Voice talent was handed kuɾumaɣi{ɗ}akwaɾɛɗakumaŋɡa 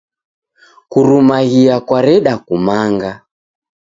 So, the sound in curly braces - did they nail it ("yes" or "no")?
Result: no